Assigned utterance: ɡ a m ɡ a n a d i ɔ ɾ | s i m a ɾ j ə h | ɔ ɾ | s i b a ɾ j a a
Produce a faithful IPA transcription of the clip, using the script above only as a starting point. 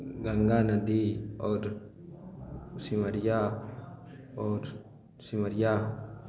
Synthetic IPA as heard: ɡ a ŋ ɡ a n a d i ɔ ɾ | s i m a ɾ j a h | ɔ ɾ | s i m a ɾ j a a